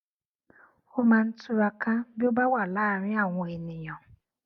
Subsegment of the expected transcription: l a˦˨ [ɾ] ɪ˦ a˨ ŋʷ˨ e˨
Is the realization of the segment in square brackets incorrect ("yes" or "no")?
no